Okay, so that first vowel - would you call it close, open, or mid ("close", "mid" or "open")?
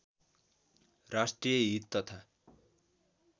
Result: open